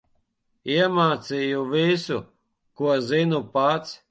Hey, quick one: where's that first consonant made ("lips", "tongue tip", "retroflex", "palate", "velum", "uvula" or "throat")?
lips